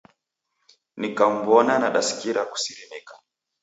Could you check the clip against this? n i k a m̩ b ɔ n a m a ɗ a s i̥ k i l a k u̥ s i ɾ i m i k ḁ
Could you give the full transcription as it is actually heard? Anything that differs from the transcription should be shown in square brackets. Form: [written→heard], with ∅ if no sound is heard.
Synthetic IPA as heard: n i k a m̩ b ɔ n a [m→n] a ɗ a s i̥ k i [l→ɾ] a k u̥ s i ɾ i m i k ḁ